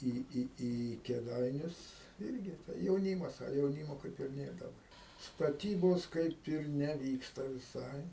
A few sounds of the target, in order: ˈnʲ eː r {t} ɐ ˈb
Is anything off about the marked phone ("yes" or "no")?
yes